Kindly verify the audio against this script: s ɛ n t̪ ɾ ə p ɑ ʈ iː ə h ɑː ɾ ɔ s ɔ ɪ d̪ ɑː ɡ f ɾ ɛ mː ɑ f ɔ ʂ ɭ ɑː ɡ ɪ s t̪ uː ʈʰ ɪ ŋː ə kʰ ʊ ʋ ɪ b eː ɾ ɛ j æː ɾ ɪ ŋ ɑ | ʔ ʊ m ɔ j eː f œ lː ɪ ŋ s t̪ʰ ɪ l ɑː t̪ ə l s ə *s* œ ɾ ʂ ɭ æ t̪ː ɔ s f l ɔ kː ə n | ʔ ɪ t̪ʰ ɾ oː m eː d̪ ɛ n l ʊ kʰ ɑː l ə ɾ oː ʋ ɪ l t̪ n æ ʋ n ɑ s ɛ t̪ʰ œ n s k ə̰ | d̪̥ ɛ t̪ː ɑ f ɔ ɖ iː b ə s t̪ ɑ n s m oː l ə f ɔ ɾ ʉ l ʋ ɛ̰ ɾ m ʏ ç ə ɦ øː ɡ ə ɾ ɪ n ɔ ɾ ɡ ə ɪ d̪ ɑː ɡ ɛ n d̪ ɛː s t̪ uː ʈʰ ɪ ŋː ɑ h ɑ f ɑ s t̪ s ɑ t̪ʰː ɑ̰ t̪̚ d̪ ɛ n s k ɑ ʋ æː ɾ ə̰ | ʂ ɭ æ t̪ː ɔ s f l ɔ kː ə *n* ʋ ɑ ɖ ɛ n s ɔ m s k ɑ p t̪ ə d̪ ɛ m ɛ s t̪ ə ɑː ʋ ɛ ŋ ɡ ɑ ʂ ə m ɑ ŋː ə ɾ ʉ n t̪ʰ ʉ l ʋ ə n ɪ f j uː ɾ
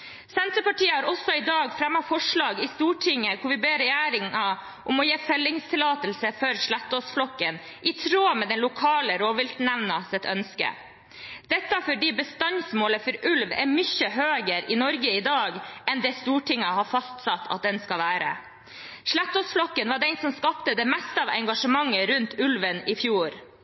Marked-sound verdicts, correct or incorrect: incorrect, correct

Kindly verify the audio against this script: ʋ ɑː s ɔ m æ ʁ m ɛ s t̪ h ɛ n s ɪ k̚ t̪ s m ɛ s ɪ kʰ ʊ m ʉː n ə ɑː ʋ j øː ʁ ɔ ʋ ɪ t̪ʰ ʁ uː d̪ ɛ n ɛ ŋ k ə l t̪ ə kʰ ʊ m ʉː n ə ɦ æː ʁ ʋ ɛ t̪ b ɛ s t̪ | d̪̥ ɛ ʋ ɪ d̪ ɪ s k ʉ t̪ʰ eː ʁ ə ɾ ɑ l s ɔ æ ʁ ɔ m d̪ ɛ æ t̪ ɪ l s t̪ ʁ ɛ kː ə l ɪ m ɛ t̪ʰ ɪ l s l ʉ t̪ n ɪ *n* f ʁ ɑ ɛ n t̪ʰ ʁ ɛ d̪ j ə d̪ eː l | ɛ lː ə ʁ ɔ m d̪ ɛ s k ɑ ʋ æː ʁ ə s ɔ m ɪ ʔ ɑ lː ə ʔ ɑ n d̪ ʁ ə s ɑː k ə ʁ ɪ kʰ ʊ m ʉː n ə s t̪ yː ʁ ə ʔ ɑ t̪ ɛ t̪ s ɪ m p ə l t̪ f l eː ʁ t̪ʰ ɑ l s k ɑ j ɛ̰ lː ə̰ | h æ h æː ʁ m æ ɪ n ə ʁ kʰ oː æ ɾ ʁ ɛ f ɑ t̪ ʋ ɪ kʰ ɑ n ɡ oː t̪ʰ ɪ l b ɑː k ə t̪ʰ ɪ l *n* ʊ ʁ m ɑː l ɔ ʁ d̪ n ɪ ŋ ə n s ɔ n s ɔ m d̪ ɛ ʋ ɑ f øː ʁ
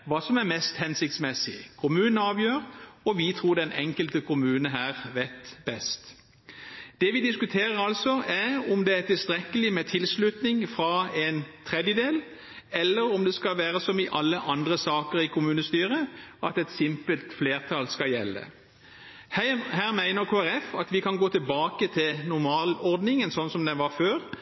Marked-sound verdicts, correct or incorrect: incorrect, correct

